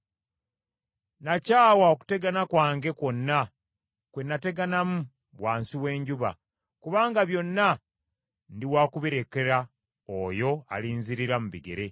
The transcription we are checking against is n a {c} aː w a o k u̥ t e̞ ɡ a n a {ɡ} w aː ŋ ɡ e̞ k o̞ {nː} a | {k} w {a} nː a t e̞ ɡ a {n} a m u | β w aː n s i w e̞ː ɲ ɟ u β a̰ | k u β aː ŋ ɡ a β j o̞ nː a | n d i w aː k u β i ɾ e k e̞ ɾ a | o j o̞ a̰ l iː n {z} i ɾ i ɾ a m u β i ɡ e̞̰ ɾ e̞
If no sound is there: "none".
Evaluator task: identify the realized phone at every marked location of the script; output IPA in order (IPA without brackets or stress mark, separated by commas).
c, k, nː, k, e, n, z